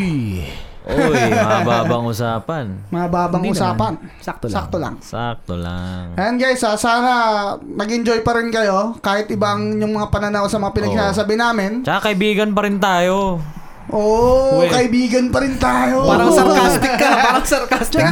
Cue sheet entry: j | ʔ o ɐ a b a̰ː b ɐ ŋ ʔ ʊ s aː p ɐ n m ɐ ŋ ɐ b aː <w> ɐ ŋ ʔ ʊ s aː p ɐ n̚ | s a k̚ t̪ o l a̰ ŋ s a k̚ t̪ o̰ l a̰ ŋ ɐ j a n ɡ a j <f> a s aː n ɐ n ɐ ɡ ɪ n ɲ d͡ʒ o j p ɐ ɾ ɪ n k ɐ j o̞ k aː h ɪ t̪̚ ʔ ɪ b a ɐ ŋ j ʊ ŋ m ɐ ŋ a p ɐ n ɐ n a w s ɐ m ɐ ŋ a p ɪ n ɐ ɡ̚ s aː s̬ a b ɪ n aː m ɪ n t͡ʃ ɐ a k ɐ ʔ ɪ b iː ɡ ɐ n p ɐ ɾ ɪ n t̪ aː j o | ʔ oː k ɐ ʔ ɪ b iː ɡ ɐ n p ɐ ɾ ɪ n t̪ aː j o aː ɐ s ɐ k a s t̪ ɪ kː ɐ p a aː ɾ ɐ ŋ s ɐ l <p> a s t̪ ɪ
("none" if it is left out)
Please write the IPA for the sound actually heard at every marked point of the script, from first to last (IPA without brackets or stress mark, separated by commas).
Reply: b, s, k